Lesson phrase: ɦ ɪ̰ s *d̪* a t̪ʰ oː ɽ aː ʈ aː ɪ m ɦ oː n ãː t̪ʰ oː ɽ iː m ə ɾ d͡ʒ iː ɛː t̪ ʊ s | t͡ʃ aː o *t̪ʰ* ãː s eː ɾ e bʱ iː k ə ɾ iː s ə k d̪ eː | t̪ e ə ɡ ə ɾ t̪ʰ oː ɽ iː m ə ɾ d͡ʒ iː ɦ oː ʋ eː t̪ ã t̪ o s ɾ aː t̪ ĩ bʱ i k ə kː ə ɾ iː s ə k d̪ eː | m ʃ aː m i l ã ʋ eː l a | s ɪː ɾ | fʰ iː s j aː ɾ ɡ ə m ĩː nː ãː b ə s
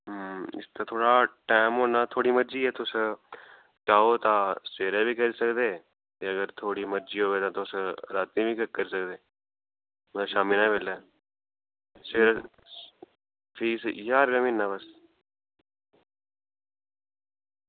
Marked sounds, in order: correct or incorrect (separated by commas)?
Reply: incorrect, incorrect